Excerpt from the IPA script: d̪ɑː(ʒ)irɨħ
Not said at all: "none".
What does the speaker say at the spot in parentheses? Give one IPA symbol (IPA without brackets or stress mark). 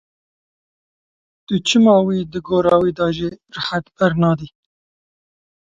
ʒ